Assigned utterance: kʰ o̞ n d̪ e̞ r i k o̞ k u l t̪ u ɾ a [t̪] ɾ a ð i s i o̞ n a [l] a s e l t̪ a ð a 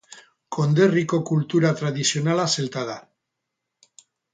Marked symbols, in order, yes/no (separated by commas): yes, yes